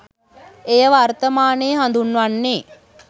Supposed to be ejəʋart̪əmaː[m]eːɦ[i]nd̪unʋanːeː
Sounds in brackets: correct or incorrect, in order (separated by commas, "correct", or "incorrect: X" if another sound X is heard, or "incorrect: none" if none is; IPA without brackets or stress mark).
incorrect: n, incorrect: a